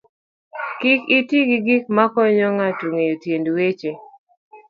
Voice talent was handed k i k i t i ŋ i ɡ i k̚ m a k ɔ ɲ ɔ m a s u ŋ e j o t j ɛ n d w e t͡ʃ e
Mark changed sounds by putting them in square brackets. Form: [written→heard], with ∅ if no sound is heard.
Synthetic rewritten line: k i k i t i [ŋ→ɡ] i ɡ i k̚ m a k ɔ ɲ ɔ [m→ŋ] a [s→t] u ŋ e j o t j [ɛ→e] n d w e t͡ʃ e